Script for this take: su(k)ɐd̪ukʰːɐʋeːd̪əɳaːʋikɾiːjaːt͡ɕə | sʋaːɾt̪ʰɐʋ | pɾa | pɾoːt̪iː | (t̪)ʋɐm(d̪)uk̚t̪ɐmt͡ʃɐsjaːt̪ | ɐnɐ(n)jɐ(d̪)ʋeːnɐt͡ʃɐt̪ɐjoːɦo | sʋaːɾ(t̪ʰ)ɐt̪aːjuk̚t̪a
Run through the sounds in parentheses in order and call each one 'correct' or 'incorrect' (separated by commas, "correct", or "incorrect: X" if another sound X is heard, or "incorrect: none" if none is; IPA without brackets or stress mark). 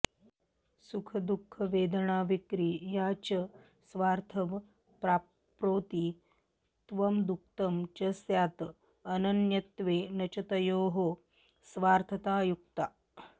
incorrect: kʰ, correct, correct, correct, incorrect: t̪, correct